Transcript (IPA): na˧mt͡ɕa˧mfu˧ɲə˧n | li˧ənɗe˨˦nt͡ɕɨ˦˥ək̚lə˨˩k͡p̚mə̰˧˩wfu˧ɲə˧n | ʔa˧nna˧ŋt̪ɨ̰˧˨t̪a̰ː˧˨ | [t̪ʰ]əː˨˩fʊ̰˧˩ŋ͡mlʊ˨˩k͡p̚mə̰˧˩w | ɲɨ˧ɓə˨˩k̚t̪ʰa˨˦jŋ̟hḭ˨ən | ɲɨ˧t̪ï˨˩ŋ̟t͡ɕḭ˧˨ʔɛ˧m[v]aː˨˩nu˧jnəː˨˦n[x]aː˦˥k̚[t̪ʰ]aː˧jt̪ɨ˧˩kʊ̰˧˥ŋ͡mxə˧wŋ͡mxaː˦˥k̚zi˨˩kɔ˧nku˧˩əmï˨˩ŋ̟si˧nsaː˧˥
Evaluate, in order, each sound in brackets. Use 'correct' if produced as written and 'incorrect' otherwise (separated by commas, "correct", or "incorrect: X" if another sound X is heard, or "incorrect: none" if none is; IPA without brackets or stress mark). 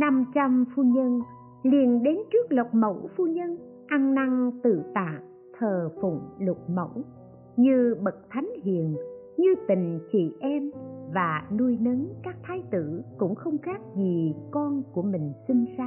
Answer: correct, correct, incorrect: k, correct